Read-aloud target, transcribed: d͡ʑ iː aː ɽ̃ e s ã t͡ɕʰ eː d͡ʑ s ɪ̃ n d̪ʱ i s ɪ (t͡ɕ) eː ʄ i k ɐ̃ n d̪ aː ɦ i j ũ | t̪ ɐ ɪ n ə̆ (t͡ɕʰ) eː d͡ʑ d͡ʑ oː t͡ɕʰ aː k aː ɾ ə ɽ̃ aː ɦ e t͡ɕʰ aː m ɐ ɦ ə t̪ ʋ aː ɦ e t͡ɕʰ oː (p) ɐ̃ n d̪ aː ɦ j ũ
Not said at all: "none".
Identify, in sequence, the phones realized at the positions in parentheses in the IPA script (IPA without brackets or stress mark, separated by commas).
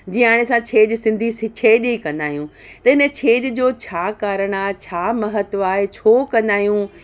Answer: t͡ɕʰ, t͡ɕʰ, k